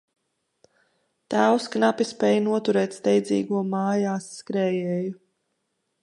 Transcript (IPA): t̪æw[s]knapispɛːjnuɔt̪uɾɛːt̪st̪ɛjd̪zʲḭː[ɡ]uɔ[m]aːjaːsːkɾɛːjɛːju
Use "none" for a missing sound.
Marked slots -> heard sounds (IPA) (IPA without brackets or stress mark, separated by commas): s, ɡ, m